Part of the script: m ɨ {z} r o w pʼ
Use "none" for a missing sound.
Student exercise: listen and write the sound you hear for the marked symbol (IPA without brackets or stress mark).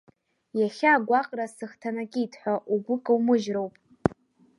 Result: ʒ